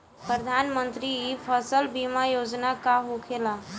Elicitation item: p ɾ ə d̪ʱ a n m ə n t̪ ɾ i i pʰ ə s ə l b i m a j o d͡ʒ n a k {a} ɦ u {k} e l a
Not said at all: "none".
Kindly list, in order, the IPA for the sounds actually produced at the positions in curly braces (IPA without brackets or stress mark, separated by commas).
a, kʰ